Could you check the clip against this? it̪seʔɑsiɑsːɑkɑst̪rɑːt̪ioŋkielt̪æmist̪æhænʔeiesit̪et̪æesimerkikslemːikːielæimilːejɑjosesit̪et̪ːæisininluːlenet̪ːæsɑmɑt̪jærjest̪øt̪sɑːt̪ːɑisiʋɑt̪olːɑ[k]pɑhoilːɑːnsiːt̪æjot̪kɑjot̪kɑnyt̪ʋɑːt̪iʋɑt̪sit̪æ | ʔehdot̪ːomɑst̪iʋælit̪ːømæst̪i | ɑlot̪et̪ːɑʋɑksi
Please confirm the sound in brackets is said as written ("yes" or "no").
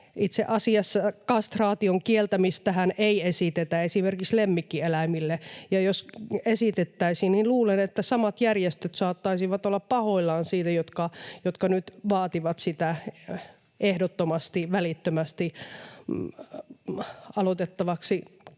no